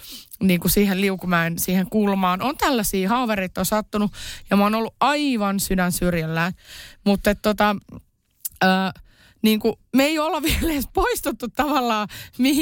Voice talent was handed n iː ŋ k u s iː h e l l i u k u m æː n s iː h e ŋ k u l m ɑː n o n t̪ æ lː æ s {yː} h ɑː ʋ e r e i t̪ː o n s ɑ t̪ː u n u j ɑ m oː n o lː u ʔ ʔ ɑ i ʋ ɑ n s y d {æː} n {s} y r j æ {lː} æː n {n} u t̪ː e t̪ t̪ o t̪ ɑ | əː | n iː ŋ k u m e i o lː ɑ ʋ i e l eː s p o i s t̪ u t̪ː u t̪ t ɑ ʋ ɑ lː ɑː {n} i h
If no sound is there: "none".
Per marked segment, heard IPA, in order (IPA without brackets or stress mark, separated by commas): iː, æ, s, lː, m, m